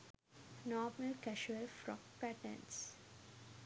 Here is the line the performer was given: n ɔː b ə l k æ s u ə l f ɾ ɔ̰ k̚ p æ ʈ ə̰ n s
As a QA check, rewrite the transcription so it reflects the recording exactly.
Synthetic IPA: n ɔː m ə l k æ ʃ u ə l f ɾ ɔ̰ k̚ p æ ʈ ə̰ n s